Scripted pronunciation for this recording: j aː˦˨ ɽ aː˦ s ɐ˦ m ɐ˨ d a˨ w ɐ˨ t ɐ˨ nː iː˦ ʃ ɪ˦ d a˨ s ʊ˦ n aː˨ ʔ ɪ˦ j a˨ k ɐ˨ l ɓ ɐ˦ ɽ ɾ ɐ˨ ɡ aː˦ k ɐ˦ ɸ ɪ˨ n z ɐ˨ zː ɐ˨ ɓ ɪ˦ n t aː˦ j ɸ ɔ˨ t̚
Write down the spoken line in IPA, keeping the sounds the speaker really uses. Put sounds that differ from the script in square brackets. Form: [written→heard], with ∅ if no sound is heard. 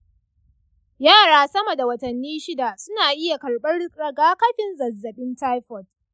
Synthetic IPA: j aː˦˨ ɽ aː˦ s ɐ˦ m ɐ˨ d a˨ w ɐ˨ t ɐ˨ nː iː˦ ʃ ɪ˦ d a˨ s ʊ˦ n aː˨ ʔ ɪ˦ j a˨ k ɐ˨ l ɓ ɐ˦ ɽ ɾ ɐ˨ ɡ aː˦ k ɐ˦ ɸ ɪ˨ n z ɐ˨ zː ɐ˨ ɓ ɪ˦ n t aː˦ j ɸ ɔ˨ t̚